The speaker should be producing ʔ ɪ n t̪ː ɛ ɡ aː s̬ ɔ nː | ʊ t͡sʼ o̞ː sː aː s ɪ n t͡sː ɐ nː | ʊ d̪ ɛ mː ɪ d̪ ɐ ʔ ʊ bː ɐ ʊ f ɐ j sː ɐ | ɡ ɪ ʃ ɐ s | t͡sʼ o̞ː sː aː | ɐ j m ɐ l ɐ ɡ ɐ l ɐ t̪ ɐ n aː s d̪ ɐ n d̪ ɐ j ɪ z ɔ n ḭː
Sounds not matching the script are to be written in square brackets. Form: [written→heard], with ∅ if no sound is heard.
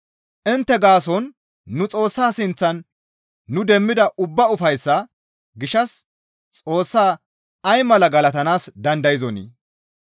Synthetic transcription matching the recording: ʔ ɪ n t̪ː ɛ ɡ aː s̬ ɔ nː | ʊ t͡sʼ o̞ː sː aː s ɪ n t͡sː ɐ nː | ʊ d̪ ɛ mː ɪ d̪ ɐ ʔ ʊ bː ɐ ʊ f ɐ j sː ɐ | ɡ ɪ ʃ ɐ s | t͡sʼ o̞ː sː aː | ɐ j m ɐ l ɐ ɡ ɐ l ɐ t̪ ɐ n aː s d̪ ɐ n d̪ ɐ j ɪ z ɔ n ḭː